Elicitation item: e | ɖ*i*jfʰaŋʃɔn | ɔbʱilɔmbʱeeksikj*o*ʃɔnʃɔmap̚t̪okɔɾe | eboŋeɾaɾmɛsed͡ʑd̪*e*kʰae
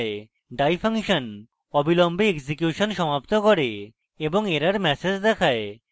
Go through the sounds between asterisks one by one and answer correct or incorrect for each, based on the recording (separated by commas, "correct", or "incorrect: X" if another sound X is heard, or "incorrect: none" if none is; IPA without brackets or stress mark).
incorrect: a, incorrect: u, incorrect: ɛ